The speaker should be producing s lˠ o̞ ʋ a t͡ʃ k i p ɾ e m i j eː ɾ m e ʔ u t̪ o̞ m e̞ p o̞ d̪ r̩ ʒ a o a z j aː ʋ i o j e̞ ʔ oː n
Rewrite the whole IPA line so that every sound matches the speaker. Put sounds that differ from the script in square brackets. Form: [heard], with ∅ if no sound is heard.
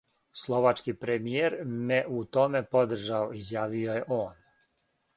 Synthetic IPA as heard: s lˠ o̞ ʋ a t͡ʃ k i p ɾ e m i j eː ɾ m e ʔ u t̪ o̞ m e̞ p o̞ d̪ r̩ ʒ a o [i] z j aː ʋ i o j e̞ ʔ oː n